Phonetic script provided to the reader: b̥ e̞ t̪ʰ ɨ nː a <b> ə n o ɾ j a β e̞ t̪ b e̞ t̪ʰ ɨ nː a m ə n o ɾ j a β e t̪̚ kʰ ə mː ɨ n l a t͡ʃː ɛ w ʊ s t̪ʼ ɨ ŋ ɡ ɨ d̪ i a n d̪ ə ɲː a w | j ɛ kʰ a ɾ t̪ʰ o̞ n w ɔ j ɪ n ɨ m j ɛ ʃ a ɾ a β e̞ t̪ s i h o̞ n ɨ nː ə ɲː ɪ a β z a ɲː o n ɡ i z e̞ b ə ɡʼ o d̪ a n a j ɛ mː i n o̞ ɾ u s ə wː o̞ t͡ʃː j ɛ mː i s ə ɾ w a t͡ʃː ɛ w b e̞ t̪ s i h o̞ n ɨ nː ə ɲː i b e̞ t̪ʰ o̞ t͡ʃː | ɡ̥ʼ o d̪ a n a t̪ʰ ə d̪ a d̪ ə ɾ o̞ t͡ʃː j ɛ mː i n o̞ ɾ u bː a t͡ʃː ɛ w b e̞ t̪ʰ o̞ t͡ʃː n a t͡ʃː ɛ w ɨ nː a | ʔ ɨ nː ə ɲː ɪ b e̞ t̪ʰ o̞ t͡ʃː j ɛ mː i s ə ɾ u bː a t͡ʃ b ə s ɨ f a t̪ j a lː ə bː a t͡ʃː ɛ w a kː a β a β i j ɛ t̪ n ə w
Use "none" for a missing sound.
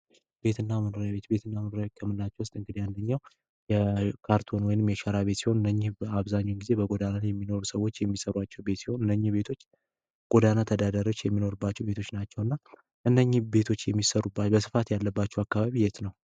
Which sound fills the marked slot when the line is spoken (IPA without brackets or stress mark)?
m